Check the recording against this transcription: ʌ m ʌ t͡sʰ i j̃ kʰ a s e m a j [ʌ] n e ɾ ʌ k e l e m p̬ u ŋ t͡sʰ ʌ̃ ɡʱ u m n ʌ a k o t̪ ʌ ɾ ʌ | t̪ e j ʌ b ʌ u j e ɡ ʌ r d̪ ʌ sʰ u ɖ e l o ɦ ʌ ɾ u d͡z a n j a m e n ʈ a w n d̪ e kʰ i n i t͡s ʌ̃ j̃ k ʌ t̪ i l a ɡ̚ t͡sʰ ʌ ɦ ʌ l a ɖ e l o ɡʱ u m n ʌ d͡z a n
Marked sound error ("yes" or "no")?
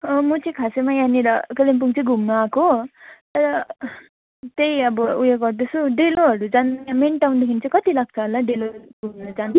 yes